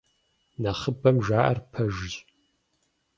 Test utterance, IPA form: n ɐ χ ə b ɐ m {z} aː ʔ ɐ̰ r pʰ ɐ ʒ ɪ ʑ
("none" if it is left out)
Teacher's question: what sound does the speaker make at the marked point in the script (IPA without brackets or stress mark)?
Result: ʒ